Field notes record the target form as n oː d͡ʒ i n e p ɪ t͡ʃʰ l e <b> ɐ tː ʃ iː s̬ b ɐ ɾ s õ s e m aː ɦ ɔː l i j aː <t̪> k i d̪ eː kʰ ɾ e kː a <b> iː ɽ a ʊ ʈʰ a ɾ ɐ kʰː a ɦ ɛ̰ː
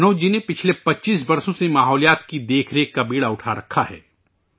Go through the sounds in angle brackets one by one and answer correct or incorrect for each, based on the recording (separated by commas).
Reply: incorrect, correct, correct